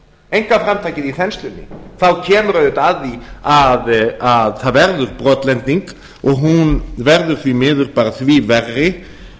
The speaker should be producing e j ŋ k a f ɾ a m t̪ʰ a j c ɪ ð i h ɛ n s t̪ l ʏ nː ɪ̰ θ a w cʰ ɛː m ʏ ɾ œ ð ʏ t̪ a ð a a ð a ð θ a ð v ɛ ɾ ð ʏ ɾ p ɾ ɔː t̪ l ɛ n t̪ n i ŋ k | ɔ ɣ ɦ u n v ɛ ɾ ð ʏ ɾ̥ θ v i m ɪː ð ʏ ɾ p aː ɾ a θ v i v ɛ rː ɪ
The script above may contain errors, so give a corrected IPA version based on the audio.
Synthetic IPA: e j ŋ k a f ɾ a m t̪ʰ a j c ɪ ð i θ ɛ n s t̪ l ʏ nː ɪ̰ θ a w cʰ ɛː m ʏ ɾ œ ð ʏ t̪ a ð i a ð a ð θ a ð v ɛ ɾ ð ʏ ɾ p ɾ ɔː t̪ l ɛ n t̪ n i ŋ k | ɔ ɣ ɦ u n v ɛ ɾ ð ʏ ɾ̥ θ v i m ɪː ð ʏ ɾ p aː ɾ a θ v i v ɛ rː ɪ